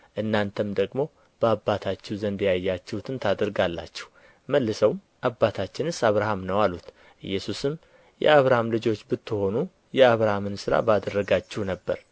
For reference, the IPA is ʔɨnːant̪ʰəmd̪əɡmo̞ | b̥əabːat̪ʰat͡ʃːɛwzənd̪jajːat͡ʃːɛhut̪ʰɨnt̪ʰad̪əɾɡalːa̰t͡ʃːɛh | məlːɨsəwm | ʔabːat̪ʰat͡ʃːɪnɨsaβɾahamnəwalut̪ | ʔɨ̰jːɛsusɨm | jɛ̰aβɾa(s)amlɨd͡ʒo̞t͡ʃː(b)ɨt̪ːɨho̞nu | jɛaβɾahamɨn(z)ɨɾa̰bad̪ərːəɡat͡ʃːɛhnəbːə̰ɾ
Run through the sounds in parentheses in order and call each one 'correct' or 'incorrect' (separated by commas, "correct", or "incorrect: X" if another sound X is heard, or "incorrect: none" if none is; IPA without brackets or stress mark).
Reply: incorrect: h, correct, incorrect: s